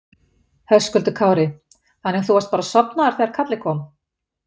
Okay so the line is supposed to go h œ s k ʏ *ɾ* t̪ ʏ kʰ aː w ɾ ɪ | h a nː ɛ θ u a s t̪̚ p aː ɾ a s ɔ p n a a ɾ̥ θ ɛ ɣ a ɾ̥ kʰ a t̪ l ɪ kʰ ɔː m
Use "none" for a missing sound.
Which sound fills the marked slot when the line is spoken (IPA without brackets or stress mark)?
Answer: l